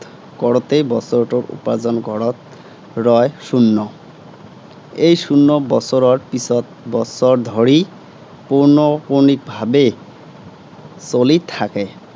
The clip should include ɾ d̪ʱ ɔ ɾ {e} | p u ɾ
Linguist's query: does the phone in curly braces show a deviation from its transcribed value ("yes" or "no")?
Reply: yes